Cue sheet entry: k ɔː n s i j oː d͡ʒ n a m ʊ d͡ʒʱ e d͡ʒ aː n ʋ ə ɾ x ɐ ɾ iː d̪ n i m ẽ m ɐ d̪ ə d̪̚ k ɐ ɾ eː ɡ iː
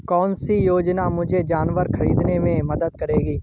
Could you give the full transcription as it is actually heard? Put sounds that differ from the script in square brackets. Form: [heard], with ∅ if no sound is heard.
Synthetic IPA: k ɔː n s i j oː d͡ʒ n a m ʊ d͡ʒʱ e d͡ʒ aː n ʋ ə ɾ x ɐ ɾ iː d̪ n [e] m ẽ m ɐ d̪ ə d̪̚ k ɐ ɾ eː ɡ iː